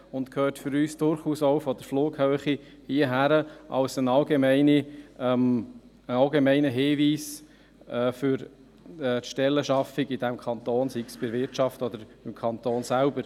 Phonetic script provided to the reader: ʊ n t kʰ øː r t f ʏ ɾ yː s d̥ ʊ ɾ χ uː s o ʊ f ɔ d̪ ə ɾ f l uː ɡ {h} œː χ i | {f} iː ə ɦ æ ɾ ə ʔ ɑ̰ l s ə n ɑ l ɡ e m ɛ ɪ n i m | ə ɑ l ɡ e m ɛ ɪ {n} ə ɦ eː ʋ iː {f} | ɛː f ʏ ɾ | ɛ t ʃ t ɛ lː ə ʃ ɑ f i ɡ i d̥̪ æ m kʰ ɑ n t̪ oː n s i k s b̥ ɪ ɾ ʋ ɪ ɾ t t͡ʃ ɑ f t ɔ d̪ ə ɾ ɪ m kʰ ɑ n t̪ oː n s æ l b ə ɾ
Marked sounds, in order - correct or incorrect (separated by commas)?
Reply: correct, incorrect, correct, incorrect